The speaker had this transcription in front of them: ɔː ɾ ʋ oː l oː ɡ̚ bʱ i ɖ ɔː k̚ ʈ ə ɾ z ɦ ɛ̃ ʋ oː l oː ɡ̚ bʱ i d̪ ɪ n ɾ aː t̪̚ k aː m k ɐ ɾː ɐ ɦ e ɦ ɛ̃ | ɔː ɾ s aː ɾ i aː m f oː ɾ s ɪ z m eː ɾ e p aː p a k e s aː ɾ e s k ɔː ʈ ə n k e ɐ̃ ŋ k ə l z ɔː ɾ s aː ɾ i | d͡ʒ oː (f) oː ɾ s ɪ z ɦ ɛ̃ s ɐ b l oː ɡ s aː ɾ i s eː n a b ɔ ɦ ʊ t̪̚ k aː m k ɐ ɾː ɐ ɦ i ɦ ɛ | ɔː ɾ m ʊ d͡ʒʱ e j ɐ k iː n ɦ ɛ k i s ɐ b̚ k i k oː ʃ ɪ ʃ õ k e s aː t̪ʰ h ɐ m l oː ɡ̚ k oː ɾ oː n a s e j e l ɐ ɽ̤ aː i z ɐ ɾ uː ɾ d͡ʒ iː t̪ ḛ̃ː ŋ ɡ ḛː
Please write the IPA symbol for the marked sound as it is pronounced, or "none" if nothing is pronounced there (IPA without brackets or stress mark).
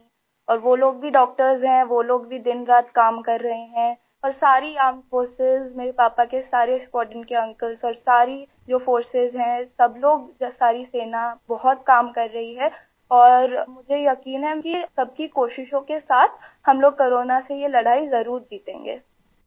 f